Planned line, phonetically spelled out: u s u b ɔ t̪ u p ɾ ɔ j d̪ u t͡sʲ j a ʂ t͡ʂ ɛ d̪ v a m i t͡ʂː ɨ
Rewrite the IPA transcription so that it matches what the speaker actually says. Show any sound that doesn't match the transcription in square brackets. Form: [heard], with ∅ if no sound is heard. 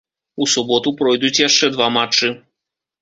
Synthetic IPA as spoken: u s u b ɔ t̪ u p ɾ ɔ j d̪ u t͡sʲ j a ʂ t͡ʂ ɛ d̪ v a m [a] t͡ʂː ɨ

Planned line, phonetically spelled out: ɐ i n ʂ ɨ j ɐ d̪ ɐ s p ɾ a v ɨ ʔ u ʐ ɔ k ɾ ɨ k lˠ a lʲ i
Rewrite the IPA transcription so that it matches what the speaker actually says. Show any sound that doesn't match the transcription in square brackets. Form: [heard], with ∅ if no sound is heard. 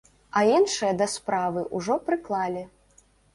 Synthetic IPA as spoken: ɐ i n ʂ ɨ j ɐ d̪ ɐ s p ɾ a v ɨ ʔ u ʐ ɔ [p] ɾ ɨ k lˠ a lʲ i

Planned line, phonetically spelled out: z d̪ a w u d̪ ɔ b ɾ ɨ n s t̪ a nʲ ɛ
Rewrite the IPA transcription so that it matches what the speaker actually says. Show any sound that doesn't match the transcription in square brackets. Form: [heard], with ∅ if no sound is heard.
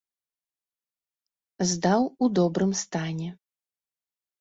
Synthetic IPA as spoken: z d̪ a w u d̪ ɔ b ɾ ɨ [m] s t̪ a nʲ ɛ

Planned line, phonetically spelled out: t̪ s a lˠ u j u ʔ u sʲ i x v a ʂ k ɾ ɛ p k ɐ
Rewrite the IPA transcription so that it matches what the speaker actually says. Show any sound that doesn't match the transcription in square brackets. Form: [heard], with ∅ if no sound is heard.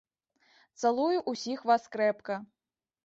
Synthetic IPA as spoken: t̪ s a lˠ u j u ʔ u sʲ i x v a [s] k ɾ ɛ p k ɐ

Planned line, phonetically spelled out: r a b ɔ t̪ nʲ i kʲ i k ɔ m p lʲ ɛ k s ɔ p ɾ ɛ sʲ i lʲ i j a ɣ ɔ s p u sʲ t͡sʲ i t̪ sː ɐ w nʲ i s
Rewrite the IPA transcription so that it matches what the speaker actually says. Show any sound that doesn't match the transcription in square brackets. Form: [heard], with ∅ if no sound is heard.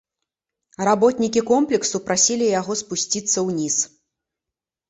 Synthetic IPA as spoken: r a b ɔ t̪ nʲ i kʲ i k ɔ m p lʲ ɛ k s [u] p ɾ [a] sʲ i lʲ i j a ɣ ɔ s p u sʲ t͡sʲ i t̪ sː ɐ w nʲ i s

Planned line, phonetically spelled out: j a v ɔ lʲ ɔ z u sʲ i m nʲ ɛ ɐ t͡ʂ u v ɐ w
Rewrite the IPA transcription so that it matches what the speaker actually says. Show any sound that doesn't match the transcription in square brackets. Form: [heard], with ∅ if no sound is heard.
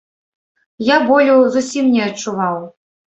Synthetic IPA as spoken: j a [b] ɔ lʲ [u] z u sʲ i m nʲ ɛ ɐ t͡ʂ u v [a] w

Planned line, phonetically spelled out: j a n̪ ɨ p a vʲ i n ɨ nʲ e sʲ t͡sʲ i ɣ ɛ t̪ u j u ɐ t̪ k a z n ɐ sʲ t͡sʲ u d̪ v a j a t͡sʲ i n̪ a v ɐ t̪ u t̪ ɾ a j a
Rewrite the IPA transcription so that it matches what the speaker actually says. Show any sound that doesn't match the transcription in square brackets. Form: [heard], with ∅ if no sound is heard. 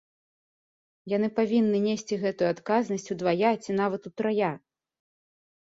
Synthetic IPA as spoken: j a n̪ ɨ p a vʲ i [nː] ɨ nʲ e sʲ t͡sʲ i ɣ ɛ t̪ u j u [a] t̪ k a z n ɐ sʲ t͡sʲ u d̪ v a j a t͡sʲ i n̪ a v ɐ t̪ u t̪ ɾ a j a

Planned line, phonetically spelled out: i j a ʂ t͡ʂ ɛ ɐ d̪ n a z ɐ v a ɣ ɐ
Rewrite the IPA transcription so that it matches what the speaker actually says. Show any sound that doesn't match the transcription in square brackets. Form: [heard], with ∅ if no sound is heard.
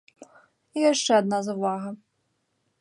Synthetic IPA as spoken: i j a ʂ t͡ʂ ɛ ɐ d̪ n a z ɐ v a ɣ ɐ

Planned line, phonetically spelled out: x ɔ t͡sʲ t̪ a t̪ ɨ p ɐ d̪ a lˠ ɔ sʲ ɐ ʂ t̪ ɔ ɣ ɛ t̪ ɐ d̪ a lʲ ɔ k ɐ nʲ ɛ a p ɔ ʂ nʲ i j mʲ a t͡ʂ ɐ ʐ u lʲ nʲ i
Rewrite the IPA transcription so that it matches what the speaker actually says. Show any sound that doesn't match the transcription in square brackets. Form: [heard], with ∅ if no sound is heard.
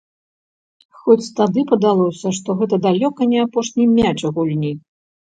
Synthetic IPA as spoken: x ɔ t͡sʲ t̪ a [d̪] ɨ p ɐ d̪ a lˠ ɔ sʲ ɐ ʂ t̪ ɔ ɣ ɛ t̪ ɐ d̪ a lʲ ɔ k ɐ nʲ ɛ a p ɔ ʂ nʲ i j mʲ a t͡ʂ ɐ [ɣ] u lʲ nʲ i

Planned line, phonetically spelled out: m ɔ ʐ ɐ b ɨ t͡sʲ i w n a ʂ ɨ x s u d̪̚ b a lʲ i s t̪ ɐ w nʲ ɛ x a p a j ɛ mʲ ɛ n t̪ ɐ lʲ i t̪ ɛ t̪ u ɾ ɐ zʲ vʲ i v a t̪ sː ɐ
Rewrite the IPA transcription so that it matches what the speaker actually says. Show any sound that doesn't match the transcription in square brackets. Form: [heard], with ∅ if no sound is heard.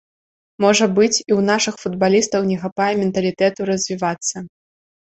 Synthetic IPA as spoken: m ɔ ʐ ɐ b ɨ t͡sʲ i w n a ʂ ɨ x [f] u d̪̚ b a lʲ i s t̪ ɐ w nʲ ɛ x a p a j ɛ mʲ ɛ n t̪ ɐ lʲ i t̪ ɛ t̪ u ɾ ɐ zʲ vʲ i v a t̪ sː ɐ

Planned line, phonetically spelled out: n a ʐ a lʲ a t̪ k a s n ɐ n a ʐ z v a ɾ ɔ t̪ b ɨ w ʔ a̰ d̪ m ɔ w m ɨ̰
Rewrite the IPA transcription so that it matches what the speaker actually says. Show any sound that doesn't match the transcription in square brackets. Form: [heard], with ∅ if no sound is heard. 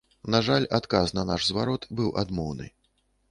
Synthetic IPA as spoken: n a ʐ a lʲ a t̪ k a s n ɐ n a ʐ z v a ɾ ɔ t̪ b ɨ w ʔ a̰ d̪ m ɔ w [n] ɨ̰

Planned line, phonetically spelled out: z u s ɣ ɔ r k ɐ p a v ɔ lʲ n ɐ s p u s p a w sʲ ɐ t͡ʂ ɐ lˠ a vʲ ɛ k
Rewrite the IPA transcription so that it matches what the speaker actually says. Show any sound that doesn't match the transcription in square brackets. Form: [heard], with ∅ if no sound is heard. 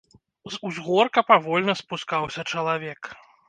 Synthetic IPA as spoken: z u [z] ɣ ɔ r k ɐ p a v ɔ lʲ n ɐ s p u s [k] a w sʲ ɐ t͡ʂ ɐ lˠ a vʲ ɛ k

